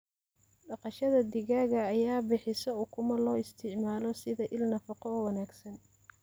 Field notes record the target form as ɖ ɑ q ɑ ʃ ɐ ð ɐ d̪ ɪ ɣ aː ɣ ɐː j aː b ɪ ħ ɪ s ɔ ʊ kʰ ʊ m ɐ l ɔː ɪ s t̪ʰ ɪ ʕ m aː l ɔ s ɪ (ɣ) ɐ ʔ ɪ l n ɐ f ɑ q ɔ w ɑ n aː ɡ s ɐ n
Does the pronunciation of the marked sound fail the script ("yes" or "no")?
yes